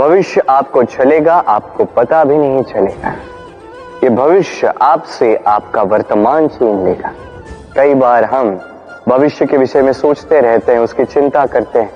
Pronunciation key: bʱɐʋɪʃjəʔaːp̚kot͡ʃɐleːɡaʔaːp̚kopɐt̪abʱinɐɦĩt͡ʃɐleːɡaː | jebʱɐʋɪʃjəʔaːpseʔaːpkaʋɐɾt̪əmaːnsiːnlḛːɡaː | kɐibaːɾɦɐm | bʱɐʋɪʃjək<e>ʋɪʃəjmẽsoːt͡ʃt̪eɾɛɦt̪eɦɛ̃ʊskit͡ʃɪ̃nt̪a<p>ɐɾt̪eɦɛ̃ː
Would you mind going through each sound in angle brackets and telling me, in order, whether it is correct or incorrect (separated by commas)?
correct, incorrect